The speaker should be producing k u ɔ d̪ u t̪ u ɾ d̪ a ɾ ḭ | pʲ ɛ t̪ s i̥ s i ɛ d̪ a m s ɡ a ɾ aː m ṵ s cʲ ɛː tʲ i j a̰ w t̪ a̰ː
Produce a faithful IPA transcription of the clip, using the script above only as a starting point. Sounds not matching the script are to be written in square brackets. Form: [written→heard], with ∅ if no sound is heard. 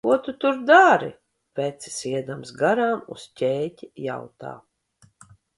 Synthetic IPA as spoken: k u ɔ [d̪→t̪] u t̪ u ɾ d̪ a ɾ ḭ | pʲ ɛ t̪ s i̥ s i ɛ d̪ a m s ɡ a ɾ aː m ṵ s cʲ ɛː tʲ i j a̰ w t̪ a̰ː